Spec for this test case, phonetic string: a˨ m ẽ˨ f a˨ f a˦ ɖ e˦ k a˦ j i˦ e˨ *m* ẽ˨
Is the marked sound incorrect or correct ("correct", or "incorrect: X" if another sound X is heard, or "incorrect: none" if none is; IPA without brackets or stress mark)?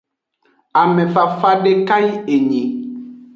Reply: incorrect: ɲ